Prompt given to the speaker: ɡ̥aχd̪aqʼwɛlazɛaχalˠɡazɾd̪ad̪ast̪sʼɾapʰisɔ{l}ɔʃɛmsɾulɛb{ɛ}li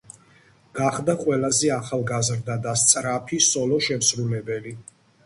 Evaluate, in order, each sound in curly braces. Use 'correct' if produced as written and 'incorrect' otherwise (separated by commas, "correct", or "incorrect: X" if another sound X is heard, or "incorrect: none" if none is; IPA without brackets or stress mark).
correct, correct